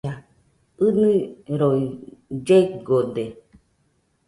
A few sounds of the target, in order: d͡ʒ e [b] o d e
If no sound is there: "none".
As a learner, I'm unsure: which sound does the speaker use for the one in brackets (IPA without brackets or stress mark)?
ɡ